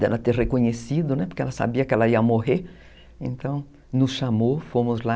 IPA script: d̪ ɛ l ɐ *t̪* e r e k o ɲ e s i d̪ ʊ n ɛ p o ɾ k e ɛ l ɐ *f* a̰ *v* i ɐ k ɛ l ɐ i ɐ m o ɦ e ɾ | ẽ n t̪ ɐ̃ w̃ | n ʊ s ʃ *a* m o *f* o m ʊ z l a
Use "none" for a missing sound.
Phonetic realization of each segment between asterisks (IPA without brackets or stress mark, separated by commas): t̪, s, b, a, f